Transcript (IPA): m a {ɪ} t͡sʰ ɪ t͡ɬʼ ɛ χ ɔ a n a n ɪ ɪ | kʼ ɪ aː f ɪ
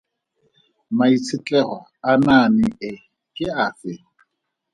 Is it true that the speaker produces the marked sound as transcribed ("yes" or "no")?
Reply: no